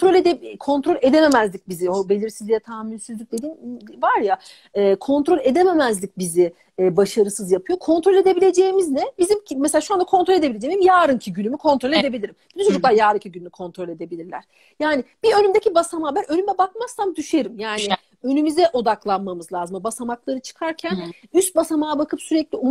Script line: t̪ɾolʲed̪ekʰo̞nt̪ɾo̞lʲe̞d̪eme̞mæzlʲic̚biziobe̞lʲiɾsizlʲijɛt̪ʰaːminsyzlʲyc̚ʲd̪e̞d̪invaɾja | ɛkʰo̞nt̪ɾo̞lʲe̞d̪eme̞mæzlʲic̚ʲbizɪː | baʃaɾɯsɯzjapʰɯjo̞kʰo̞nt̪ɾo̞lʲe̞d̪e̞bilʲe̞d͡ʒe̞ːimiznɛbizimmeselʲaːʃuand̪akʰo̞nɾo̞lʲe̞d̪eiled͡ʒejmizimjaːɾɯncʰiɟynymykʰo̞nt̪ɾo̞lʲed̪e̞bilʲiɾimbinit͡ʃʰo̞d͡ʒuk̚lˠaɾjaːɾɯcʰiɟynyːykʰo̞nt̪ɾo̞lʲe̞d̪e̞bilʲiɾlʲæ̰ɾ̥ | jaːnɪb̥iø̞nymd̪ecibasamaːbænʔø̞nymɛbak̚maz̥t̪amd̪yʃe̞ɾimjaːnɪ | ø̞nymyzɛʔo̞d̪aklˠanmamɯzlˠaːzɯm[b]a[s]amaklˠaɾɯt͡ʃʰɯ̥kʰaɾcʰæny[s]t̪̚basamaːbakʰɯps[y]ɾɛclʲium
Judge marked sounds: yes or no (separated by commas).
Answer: yes, yes, yes, yes